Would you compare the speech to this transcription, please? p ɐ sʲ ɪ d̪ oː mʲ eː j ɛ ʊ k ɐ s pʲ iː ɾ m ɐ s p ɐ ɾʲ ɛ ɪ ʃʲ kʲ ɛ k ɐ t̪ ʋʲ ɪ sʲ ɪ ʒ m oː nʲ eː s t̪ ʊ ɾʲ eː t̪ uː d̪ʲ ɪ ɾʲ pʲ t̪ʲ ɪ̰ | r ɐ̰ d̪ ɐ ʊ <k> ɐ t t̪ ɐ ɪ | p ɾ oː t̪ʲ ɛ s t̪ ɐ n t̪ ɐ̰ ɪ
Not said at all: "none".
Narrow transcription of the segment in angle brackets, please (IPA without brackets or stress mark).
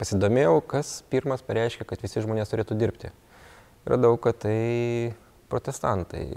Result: k